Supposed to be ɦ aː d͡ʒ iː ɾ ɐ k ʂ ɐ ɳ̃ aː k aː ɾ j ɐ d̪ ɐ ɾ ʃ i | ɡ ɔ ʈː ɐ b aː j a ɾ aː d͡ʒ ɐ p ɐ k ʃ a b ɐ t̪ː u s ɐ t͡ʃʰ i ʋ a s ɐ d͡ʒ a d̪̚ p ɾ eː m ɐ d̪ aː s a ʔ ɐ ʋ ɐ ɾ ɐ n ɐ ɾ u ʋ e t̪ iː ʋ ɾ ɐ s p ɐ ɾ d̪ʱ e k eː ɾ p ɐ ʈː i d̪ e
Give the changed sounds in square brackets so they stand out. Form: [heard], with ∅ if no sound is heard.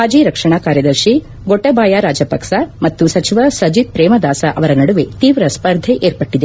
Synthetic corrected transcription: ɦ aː d͡ʒ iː ɾ ɐ k ʂ ɐ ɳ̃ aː k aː ɾ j ɐ d̪ ɐ ɾ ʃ i | ɡ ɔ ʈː ɐ b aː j a ɾ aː d͡ʒ ɐ p ɐ k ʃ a [m] ɐ t̪ː u s ɐ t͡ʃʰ i ʋ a s ɐ d͡ʒ [i] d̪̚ p ɾ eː m ɐ d̪ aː s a ʔ ɐ ʋ ɐ ɾ ɐ n ɐ [ɽ] u ʋ e t̪ iː ʋ ɾ ɐ s p ɐ ɾ d̪ʱ e [ʔ] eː ɾ p ɐ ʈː i d̪ e